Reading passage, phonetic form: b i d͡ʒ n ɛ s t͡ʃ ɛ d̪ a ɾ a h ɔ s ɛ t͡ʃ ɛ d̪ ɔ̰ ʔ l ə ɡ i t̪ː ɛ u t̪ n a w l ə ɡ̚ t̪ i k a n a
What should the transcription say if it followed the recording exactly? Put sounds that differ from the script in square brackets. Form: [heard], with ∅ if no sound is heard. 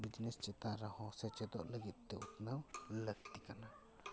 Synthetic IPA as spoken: b i d͡ʒ n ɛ s t͡ʃ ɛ [t̪] a ɾ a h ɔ s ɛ t͡ʃ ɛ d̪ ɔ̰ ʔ l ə ɡ i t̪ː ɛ u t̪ n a w l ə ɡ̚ t̪ i k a n a